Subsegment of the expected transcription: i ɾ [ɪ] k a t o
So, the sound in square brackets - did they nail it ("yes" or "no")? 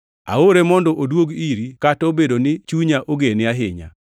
no